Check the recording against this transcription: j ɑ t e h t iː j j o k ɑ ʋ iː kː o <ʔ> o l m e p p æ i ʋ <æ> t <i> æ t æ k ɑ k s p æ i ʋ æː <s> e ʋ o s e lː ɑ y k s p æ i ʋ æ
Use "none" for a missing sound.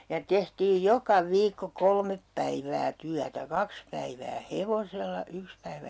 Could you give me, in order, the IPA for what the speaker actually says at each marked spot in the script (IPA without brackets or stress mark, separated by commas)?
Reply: k, æː, y, h